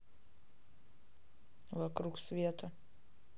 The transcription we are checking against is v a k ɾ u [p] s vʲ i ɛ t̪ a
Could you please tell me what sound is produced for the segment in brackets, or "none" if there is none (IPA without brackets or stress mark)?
k